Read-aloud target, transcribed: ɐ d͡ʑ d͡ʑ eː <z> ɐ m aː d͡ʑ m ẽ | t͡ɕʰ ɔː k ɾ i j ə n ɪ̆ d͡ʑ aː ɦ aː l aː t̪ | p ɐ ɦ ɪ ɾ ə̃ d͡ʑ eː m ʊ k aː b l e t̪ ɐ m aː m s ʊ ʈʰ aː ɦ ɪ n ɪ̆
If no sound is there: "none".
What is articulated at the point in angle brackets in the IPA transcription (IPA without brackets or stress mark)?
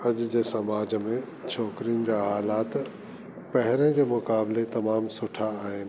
s